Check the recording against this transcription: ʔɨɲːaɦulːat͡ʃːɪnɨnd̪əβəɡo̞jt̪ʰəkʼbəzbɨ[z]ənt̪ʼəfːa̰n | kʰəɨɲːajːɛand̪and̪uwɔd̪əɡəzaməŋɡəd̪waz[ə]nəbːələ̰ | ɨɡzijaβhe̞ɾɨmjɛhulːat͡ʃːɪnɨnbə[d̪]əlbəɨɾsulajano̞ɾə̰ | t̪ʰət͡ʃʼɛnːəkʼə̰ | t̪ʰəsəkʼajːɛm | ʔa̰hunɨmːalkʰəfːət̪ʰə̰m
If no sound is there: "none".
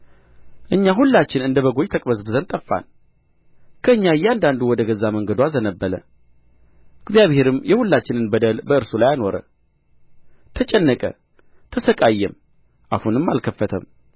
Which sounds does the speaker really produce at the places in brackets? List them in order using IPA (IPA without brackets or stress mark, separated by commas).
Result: z, ə, d̪